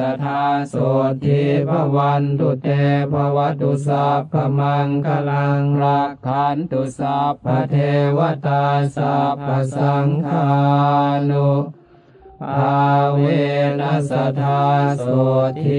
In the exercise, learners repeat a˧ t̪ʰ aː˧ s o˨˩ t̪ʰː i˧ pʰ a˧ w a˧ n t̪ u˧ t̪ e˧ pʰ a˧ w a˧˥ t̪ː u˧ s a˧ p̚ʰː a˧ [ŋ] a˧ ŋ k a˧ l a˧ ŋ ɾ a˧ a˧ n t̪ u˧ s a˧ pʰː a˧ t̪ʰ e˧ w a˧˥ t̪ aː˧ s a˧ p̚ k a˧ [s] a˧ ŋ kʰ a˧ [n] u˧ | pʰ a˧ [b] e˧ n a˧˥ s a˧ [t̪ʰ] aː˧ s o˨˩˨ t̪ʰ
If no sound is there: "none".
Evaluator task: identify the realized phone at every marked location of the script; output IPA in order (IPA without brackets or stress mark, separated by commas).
m, s, n, w, t̪ʰ